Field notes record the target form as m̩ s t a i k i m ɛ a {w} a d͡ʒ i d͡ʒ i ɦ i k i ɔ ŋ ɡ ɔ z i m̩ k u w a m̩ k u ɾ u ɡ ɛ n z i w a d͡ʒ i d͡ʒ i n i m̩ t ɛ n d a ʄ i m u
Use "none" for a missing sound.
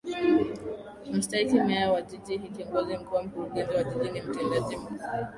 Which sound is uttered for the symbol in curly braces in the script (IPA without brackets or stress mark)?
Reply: w